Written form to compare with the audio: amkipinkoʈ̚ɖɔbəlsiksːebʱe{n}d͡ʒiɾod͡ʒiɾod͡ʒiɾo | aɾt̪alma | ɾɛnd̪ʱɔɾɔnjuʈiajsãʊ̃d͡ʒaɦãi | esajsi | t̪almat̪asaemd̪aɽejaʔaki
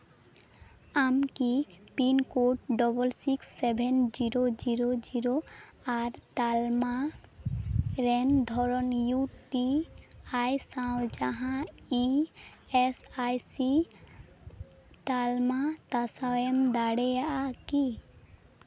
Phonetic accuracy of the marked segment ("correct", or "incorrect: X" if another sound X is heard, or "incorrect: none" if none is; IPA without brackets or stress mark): correct